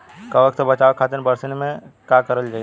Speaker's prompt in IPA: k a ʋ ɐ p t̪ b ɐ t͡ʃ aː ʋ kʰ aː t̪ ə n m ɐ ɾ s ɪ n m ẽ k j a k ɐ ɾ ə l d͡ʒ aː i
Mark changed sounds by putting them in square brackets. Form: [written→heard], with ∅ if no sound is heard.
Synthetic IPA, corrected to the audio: k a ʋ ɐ [p→k] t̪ b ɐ t͡ʃ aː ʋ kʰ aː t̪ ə n [m→b] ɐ ɾ s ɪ n m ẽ k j a k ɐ ɾ ə l d͡ʒ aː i